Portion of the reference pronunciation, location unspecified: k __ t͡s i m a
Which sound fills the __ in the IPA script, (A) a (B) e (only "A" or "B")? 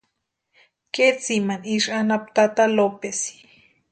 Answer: B